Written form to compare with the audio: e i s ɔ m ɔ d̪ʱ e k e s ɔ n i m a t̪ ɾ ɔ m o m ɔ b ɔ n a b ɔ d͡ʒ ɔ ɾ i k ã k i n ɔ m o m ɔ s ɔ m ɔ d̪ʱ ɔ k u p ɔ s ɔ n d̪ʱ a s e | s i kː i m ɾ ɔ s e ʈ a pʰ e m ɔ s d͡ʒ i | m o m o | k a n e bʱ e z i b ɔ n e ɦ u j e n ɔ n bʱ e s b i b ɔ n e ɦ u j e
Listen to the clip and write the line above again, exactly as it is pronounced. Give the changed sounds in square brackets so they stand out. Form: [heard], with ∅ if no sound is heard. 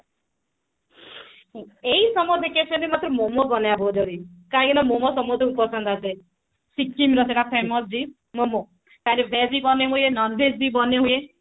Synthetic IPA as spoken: e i s ɔ m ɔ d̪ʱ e k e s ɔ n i m a t̪ ɾ ɔ m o m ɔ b ɔ n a b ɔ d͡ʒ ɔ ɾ i k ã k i n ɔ m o m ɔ s ɔ m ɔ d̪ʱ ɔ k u p ɔ s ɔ n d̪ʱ a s e | s i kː i m ɾ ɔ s e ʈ a pʰ e m ɔ s d͡ʒ i | m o m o | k a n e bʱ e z i b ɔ n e ɦ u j e n ɔ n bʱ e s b i b ɔ n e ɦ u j e

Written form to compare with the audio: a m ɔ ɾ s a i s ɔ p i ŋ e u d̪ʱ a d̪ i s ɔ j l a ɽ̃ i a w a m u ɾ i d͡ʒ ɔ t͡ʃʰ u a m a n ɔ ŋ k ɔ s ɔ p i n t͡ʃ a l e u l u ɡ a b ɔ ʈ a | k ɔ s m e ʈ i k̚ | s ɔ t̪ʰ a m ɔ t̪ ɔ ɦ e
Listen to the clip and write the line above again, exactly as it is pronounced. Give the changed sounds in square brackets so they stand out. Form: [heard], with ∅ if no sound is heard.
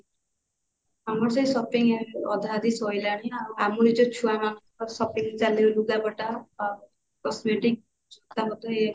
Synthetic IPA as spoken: a m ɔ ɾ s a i s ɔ p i ŋ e [ɔ] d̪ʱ a d̪ i s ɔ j l a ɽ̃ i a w a m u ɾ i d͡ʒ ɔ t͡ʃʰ u a m a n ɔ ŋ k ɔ s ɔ p i [ŋ] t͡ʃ a l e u l u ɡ a b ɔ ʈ a | k ɔ s m e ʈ i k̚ | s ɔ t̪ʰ a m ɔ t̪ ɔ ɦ e

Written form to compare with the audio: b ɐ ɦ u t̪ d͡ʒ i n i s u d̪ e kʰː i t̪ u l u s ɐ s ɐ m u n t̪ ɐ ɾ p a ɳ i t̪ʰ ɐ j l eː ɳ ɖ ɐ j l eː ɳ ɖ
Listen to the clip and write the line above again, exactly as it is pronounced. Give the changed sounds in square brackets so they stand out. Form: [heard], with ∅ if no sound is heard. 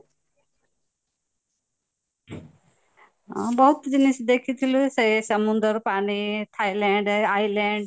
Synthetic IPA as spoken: b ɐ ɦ u t̪ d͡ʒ i n i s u d̪ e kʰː i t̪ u l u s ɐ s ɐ m u n [d̪] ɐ ɾ p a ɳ i t̪ʰ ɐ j l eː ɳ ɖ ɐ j l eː ɳ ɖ

